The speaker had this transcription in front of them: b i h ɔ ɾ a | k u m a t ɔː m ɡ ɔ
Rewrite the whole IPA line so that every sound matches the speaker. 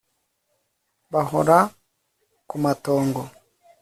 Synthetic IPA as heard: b a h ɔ ɾ a | k u m a t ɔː ŋ ɡ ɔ

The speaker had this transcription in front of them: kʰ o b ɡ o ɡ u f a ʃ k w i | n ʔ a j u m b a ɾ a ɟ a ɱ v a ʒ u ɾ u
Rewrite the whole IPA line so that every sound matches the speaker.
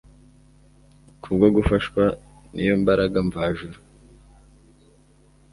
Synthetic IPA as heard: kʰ u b ɡ o ɡ u f a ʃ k w a | n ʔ i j o m b a ɾ a ɡ a ɱ v a ʒ u ɾ u

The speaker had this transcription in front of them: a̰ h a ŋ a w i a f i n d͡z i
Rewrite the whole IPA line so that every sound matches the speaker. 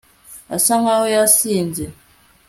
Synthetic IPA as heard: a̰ s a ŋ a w j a s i n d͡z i

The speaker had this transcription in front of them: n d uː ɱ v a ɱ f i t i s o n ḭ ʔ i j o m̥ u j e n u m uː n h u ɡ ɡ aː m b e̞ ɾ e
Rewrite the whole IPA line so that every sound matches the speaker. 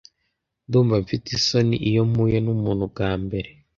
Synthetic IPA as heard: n d uː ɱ v a ɱ f i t i s o n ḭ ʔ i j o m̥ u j e n u m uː n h u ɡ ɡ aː m b e̞ ɾ e

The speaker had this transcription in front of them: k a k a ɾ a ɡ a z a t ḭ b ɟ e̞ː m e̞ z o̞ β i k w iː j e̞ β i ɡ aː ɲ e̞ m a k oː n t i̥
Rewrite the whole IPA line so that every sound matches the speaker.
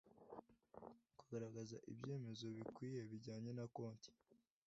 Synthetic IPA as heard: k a ɡ a ɾ a ɡ a z a ʔ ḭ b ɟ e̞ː m e̞ z o̞ β i k w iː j e̞ β i ɟ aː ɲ e̞ n a k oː n t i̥

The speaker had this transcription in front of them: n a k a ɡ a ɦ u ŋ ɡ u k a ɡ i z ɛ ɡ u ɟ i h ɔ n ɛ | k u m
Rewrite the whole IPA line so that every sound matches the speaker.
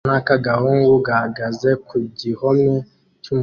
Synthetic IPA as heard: n a k a ɡ a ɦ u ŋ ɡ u ɡ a ɡ a z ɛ k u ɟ i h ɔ m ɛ | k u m

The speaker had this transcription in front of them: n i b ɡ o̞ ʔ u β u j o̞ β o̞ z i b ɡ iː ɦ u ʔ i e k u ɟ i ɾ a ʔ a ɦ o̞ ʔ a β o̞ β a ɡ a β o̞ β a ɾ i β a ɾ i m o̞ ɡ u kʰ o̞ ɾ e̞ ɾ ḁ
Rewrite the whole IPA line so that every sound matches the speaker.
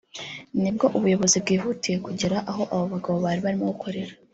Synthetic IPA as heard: n i b ɡ o̞ ʔ u β u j o̞ β o̞ z i b ɡ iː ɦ u t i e k u ɟ i ɾ a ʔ a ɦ o̞ ʔ a β o̞ β a ɡ a β o̞ β a ɾ i β a ɾ i m o̞ ɡ u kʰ o̞ ɾ e̞ ɾ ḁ

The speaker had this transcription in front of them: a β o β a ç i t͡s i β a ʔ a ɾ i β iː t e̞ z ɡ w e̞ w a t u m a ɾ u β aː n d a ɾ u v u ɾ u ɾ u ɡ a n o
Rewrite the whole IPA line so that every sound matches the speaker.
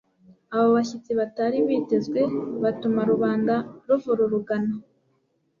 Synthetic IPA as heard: a β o β a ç i t͡s i β a t a ɾ i β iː t e̞ z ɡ w e̞ β a t u m a ɾ u β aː n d a ɾ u v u ɾ u ɾ u ɡ a n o

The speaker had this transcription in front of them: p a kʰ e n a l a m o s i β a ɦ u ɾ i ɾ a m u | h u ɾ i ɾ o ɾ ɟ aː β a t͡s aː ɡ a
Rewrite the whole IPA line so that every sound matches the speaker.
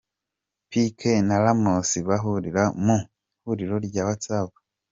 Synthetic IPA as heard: p i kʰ e n a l a m o s i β a ɦ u ɾ i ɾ a m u | h u ɾ i ɾ o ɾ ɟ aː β a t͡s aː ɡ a

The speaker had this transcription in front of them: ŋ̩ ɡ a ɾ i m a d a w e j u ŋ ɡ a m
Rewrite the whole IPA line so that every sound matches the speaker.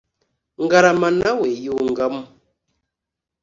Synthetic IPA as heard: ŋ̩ ɡ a ɾ a m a n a w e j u ŋ ɡ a m

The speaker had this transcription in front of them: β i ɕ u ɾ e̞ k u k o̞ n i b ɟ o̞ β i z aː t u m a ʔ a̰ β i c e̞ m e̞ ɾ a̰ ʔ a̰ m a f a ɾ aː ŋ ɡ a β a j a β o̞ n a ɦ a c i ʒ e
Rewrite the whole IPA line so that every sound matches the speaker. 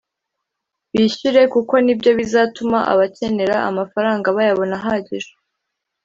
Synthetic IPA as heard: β i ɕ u ɾ e̞ k u k o̞ n i b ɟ o̞ β i z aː t u m a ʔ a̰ β a c e̞ n e̞ ɾ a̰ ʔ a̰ m a f a ɾ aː ŋ ɡ a β a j a β o̞ n a ɦ a ɟ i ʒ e

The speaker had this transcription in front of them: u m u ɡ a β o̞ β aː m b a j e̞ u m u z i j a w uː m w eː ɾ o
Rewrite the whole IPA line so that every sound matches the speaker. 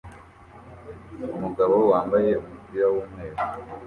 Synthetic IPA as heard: u m u ɡ a β o̞ w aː m b a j e̞ u m u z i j a w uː m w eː ɾ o

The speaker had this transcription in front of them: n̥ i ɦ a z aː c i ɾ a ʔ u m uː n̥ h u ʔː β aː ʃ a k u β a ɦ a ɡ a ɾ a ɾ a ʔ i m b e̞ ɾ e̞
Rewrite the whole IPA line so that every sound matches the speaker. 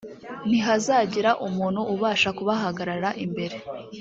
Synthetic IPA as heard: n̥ i ɦ a z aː ɟ i ɾ a ʔ u m uː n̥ h u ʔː β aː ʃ a k u β a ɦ a ɡ a ɾ a ɾ a ʔ i m b e̞ ɾ e̞

